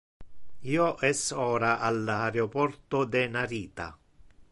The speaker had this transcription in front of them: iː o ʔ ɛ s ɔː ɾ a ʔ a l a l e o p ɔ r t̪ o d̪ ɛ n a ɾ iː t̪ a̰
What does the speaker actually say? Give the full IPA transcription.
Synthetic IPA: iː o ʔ ɛ s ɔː ɾ a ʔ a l a ɾ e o p ɔ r t̪ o d̪ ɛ n a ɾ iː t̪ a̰